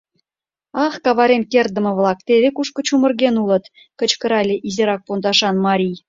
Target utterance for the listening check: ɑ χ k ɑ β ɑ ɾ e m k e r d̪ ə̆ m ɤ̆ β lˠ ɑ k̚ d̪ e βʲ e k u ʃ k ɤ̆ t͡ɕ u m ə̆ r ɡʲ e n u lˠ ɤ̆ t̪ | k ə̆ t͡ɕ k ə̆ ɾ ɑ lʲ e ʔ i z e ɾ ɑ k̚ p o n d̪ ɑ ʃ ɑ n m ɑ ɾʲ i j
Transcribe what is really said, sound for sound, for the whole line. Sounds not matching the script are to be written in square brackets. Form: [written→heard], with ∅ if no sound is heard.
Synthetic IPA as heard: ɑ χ k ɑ β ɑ ɾ e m k e r d̪ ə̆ m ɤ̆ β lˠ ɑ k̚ [d̪→t̪] e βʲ e k u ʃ k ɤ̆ t͡ɕ u m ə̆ r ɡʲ e n u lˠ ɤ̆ t̪ | k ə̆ t͡ɕ k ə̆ ɾ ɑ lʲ e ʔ i z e ɾ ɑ k̚ p o n d̪ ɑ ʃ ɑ n m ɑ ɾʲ i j